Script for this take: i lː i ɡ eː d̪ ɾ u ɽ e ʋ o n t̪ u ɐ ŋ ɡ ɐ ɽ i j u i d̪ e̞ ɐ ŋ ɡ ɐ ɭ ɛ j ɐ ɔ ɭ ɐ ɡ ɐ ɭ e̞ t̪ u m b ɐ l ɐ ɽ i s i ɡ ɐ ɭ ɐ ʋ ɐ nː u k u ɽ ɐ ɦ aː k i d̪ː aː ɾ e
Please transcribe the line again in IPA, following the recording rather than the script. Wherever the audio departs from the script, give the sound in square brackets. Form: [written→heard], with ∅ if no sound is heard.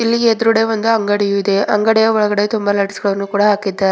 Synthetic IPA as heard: i lː i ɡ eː d̪ ɾ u ɽ e ʋ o n [t̪→d̪] u ɐ ŋ ɡ ɐ ɽ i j u i d̪ e̞ ɐ ŋ ɡ ɐ [ɭ→ɽ] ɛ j ɐ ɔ ɭ ɐ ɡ ɐ [ɭ→ɽ] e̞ t̪ u m b ɐ l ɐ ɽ i s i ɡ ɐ ɭ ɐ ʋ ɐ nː u k [u→uː] ɽ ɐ ɦ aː k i d̪ː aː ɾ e